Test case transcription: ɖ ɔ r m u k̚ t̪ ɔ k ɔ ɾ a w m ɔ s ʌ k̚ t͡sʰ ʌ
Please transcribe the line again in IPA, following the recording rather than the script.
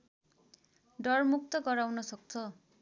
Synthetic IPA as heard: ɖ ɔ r m u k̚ t̪ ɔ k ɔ ɾ a w n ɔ s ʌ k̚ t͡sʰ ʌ